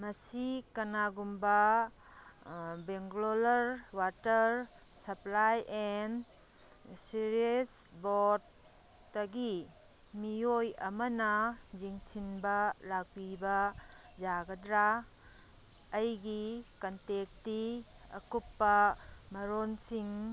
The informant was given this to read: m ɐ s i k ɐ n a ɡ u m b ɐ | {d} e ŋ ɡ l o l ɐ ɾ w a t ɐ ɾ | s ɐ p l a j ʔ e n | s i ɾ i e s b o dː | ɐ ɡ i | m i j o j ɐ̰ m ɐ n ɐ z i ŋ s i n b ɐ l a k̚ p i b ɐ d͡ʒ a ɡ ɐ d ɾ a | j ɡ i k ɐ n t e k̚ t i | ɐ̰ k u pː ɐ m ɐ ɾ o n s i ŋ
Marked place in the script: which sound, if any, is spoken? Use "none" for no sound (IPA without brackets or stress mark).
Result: b